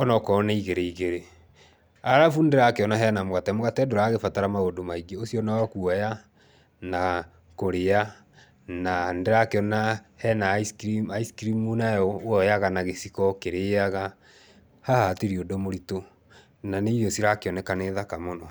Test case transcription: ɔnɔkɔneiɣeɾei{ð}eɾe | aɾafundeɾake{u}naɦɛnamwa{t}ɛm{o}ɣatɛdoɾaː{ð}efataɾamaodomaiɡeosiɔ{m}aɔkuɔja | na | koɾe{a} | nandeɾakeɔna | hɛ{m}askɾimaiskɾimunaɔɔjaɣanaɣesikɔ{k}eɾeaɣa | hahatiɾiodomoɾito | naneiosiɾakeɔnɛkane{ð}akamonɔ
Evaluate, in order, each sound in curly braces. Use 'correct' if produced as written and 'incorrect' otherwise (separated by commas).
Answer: incorrect, incorrect, correct, correct, incorrect, incorrect, correct, incorrect, correct, correct